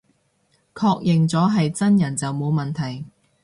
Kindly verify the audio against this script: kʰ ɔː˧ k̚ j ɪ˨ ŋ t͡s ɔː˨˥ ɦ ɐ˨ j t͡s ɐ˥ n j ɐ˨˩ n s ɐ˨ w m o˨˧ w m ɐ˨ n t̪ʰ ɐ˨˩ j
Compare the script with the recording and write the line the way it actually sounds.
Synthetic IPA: kʰ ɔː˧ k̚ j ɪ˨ ŋ t͡s ɔː˨˥ ɦ ɐ˨ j t͡s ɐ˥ n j ɐ˨˩ n t͡s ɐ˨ w m o˨˧ w m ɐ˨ n t̪ʰ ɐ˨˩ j